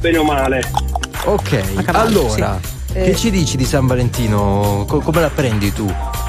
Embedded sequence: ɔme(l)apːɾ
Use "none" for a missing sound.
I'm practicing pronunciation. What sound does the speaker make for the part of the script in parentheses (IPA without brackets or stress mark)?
l